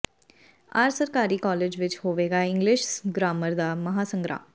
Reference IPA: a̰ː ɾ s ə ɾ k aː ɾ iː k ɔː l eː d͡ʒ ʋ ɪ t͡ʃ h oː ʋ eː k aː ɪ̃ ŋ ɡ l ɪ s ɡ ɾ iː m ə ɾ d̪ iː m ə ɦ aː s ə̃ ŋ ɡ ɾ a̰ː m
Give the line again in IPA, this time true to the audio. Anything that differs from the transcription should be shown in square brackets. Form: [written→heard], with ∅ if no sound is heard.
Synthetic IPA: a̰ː ɾ s ə ɾ k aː ɾ iː k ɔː l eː d͡ʒ ʋ ɪ t͡ʃ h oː ʋ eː [k→ɡ] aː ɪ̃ ŋ ɡ l ɪ [s→ʃ] ɡ ɾ [iː→aː] m ə ɾ d̪ [iː→aː] m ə ɦ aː s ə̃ ŋ ɡ ɾ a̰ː m

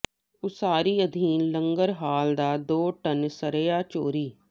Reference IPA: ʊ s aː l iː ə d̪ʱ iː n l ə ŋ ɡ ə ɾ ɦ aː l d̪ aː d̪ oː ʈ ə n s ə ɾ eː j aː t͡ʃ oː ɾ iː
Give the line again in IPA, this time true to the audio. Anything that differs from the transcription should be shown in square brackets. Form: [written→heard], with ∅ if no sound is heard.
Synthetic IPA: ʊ s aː [l→ɾ] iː ə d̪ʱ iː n l ə ŋ ɡ ə ɾ ɦ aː l d̪ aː d̪ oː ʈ ə n s ə ɾ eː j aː t͡ʃ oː ɾ iː

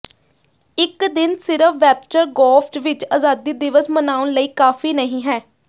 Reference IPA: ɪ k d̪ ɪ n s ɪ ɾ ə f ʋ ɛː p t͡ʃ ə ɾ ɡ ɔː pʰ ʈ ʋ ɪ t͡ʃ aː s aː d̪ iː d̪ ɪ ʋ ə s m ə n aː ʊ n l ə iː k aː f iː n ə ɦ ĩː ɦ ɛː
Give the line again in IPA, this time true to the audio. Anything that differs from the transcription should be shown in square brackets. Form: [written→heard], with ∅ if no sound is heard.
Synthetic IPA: ɪ k d̪ ɪ n s ɪ ɾ ə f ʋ ɛː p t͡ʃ ə ɾ ɡ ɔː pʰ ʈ ʋ ɪ t͡ʃ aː [s→z] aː d̪ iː d̪ ɪ ʋ ə s m ə n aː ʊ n l ə iː k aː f iː n ə ɦ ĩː ɦ ɛː

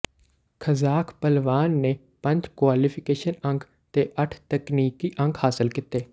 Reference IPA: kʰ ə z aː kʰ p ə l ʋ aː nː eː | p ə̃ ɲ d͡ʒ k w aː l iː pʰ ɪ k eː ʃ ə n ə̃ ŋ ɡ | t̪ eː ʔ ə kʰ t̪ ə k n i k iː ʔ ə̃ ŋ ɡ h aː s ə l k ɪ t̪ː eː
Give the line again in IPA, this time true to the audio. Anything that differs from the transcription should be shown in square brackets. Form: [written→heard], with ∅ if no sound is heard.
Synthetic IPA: kʰ ə z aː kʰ p ə l ʋ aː nː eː | p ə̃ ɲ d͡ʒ k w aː l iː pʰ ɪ k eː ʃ ə n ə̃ ŋ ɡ | t̪ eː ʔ ə [kʰ→ʈʰ] t̪ ə k n [i→iː] k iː ʔ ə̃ ŋ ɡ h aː s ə l k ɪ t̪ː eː

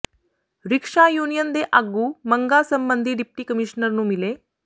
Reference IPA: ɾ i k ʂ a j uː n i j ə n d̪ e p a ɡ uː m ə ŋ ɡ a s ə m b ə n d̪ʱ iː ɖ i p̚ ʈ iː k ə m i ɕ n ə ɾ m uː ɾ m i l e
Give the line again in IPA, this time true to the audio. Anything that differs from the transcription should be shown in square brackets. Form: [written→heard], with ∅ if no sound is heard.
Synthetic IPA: ɾ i k ʂ a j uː n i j ə n d̪ e [p→ʔ] a ɡ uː m ə ŋ ɡ a s ə m b ə n d̪ʱ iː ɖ i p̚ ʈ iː k ə m i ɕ n ə ɾ [m→n] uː [ɾ→∅] m i l e

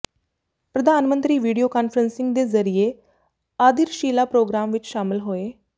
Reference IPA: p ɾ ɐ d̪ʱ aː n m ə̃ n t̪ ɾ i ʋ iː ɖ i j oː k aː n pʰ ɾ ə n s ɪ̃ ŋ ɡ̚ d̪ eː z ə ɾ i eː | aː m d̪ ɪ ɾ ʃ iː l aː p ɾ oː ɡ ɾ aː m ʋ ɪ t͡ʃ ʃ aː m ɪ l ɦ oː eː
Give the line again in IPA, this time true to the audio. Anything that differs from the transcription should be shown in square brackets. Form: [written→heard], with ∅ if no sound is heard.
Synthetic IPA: p ɾ [ɐ→ə] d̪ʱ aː n m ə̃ n t̪ ɾ [i→iː] ʋ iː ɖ i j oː k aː n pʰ ɾ ə n s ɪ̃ ŋ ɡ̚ d̪ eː z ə ɾ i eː | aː [m→∅] d̪ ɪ ɾ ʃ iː l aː p ɾ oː ɡ ɾ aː m ʋ ɪ t͡ʃ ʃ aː m ɪ l ɦ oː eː

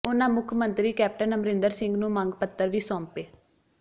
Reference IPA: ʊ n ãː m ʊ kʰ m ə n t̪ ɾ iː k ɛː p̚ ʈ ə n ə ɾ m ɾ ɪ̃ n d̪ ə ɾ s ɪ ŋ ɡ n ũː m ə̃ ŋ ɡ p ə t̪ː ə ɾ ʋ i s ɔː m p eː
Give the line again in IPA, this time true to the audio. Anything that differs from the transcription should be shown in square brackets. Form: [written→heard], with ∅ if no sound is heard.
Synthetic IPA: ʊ n ãː m ʊ kʰ m ə n t̪ ɾ iː k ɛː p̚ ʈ ə n ə [ɾ→∅] m ɾ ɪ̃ n d̪ ə ɾ s ɪ ŋ ɡ n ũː m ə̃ ŋ ɡ p ə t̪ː ə ɾ ʋ [i→iː] s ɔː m p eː

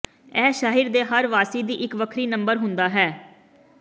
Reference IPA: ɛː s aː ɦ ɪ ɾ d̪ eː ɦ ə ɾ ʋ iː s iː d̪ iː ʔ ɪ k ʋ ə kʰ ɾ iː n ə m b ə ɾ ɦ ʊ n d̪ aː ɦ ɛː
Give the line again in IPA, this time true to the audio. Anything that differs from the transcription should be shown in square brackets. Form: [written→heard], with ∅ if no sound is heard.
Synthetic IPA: ɛː [s→ʃ] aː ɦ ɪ ɾ d̪ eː ɦ ə ɾ ʋ [iː→aː] s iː d̪ iː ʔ ɪ k ʋ ə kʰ ɾ iː n ə m b ə ɾ ɦ ʊ n d̪ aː ɦ ɛː

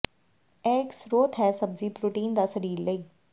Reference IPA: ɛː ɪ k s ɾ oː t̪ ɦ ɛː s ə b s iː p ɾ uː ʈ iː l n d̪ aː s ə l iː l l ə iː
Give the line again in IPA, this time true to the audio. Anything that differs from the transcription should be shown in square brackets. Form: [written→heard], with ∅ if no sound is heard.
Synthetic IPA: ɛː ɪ k s ɾ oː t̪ ɦ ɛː s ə b [s→z] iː p ɾ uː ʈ iː [l→∅] n d̪ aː s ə [l→ɾ] iː [l→ɾ] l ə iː

